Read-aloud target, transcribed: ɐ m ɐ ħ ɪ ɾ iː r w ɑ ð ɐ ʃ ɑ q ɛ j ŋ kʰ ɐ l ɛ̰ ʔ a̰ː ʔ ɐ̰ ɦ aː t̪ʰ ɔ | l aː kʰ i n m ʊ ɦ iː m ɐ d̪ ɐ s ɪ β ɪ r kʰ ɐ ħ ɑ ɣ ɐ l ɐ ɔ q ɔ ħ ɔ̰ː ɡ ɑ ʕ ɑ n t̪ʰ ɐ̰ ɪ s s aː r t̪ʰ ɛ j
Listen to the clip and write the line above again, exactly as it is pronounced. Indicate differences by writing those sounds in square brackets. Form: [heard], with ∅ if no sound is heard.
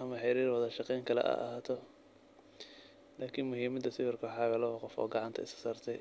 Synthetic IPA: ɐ m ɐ ħ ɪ ɾ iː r w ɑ ð ɐ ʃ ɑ q ɛ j ŋ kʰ ɐ l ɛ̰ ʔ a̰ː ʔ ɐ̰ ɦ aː t̪ʰ ɔ | l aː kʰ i n m ʊ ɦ iː m ɐ d̪ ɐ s ɪ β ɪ r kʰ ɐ ħ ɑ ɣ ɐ l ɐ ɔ q ɔ [f] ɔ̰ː ɡ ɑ ʕ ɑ n t̪ʰ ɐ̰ ɪ s s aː r t̪ʰ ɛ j